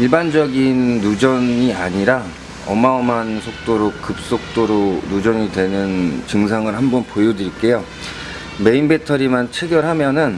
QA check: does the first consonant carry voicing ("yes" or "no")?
yes